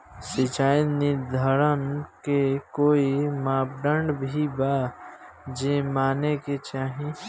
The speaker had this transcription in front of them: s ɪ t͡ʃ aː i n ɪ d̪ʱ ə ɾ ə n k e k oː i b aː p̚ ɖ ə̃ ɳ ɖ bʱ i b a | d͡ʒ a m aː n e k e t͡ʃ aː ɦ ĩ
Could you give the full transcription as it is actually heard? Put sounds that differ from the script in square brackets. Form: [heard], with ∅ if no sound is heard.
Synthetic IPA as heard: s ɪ t͡ʃ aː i n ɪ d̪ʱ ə ɾ ə n k e k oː i [m] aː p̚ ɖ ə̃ ɳ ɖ bʱ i b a | d͡ʒ [e] m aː n e k e t͡ʃ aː ɦ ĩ